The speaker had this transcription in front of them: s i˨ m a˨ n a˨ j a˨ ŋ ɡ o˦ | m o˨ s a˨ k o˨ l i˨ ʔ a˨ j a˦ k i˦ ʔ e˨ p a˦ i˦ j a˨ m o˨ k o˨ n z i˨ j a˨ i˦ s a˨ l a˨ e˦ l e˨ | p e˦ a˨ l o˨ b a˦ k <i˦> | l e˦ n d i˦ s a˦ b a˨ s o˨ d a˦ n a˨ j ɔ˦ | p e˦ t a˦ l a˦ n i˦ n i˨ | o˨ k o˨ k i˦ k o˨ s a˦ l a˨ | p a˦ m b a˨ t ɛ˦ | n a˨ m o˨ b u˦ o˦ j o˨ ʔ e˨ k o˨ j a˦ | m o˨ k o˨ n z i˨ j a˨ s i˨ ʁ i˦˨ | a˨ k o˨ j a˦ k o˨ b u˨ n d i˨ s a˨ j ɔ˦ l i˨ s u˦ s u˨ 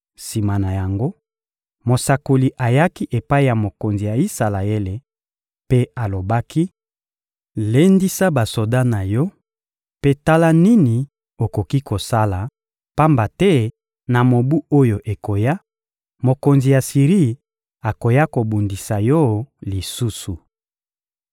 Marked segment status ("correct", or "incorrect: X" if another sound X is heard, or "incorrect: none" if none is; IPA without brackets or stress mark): correct